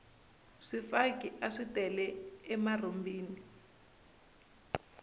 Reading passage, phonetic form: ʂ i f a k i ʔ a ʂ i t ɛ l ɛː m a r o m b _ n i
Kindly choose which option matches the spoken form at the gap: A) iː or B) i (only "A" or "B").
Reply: A